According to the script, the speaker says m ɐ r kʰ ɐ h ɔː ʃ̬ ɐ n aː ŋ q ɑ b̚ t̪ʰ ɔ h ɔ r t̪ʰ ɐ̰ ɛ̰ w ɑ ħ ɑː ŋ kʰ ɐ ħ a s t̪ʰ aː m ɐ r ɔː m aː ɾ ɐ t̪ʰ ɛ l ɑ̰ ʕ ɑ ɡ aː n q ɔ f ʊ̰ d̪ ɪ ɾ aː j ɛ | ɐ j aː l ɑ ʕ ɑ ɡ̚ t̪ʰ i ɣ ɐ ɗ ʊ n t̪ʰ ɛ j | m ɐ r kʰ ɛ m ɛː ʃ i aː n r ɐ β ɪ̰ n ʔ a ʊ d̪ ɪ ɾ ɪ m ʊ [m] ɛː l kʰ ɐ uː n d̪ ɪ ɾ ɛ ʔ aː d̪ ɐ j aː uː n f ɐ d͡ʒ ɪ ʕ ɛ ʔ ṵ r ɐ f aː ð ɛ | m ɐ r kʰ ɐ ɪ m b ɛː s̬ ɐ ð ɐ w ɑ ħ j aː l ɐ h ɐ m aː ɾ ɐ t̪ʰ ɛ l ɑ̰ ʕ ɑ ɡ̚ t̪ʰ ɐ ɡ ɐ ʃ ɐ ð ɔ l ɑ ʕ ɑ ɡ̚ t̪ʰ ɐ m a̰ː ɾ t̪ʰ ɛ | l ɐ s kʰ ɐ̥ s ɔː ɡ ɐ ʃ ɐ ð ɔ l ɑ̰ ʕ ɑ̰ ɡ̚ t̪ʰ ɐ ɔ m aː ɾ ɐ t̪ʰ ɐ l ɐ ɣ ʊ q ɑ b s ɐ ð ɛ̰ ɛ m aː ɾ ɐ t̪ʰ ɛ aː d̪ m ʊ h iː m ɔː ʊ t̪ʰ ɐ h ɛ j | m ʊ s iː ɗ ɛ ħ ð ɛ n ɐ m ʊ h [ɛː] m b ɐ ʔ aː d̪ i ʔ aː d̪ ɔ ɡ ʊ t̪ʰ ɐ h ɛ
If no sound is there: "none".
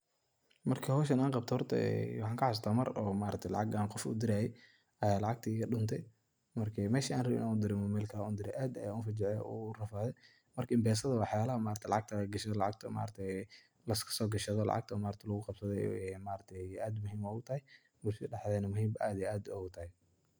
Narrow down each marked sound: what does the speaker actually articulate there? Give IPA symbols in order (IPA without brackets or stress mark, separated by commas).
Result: m, iː